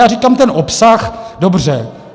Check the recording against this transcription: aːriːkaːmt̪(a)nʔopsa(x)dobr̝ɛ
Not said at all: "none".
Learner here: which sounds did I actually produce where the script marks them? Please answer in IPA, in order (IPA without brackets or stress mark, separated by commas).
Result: ɛ, x